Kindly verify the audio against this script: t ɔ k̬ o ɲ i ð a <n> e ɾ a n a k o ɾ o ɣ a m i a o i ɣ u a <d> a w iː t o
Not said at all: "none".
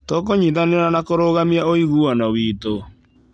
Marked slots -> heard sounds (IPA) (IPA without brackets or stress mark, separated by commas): n, n